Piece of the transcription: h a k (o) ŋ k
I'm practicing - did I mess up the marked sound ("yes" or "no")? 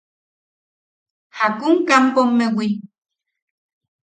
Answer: yes